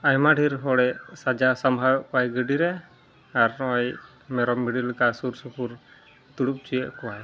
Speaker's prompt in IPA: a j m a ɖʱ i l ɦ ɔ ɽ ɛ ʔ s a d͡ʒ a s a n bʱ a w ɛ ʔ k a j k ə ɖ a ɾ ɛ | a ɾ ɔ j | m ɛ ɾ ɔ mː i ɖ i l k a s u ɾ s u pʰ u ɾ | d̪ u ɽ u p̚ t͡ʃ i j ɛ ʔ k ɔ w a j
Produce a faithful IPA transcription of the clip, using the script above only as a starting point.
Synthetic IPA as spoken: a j m a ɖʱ i ɾ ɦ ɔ ɽ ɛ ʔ s a d͡ʒ a s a m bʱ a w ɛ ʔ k a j ɡ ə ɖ i ɾ ɛ | a ɾ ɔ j | m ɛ ɾ ɔ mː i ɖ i l k a s u ɾ s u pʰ u ɾ | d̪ u ɽ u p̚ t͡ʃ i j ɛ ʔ k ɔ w a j